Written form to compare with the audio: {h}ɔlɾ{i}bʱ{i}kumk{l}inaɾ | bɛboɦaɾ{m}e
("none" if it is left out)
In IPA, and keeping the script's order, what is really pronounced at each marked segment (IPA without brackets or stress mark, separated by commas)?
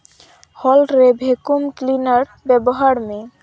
h, e, e, l, m